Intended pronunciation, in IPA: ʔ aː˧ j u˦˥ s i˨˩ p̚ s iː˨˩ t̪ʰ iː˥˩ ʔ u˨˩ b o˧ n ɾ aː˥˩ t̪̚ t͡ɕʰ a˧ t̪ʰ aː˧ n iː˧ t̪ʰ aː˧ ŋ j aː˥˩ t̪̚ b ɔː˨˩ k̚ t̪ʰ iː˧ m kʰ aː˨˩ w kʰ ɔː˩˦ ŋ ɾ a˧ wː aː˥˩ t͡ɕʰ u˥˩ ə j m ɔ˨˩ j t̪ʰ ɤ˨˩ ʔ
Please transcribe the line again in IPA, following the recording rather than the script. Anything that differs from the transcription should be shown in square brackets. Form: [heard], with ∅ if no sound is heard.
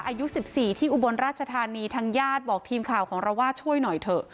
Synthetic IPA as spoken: ʔ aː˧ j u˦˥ s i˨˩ p̚ s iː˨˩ t̪ʰ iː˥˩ ʔ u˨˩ b o˧ n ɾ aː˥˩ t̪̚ t͡ɕʰ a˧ t̪ʰ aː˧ n iː˧ t̪ʰ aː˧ ŋ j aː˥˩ t̪̚ b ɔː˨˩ k̚ t̪ʰ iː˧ m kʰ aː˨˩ w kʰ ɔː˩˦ ŋ ɾ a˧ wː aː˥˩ t͡ɕʰ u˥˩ ə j [n] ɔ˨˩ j t̪ʰ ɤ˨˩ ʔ